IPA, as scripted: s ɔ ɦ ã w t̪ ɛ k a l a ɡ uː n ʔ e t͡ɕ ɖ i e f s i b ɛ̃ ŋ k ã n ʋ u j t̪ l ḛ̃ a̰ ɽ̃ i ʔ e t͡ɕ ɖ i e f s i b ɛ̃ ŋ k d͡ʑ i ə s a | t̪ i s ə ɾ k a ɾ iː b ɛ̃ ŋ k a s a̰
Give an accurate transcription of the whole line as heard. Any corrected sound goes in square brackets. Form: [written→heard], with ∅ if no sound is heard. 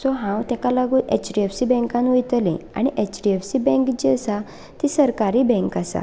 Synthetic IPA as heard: s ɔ ɦ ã w t̪ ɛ k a l a ɡ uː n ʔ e t͡ɕ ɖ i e f s i b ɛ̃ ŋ k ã n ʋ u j t̪ l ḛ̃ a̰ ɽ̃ i ʔ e t͡ɕ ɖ i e f s i b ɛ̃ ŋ k d͡ʑ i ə s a | t̪ i s ə ɾ k a ɾ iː b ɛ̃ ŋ k a s a̰